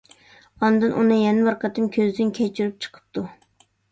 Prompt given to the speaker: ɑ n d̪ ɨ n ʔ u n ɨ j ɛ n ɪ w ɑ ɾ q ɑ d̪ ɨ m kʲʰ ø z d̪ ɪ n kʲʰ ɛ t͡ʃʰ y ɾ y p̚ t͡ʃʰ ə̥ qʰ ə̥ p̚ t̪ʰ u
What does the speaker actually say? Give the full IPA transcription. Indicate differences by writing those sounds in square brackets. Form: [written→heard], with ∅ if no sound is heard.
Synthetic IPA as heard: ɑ n d̪ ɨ n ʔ u n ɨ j ɛ n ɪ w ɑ ɾ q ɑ [d̪→t̪] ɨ m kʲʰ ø z d̪ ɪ n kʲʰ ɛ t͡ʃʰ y ɾ y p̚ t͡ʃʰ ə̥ qʰ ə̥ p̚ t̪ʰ u